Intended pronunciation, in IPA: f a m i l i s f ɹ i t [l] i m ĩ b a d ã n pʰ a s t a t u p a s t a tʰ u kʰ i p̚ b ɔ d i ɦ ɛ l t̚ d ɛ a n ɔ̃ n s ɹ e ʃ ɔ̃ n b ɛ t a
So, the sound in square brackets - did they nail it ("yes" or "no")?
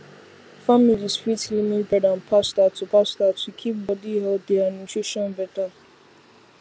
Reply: yes